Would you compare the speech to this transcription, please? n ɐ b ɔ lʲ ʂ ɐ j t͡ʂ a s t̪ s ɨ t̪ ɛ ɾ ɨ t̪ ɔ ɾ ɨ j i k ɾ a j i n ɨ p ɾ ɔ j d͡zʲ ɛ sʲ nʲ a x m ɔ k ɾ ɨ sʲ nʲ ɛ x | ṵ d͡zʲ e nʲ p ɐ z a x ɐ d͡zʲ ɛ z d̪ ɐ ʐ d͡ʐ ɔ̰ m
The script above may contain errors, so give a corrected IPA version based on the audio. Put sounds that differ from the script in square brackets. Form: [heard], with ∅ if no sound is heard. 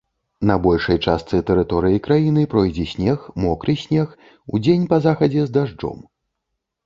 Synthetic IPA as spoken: n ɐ b ɔ lʲ ʂ ɐ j t͡ʂ a s t̪ s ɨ t̪ ɛ ɾ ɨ t̪ ɔ ɾ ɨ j i k ɾ a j i n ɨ p ɾ ɔ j d͡zʲ ɛ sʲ nʲ [ɛ] x m ɔ k ɾ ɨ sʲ nʲ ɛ x | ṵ d͡zʲ e nʲ p ɐ z a x ɐ d͡zʲ ɛ z d̪ [a] ʐ d͡ʐ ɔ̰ m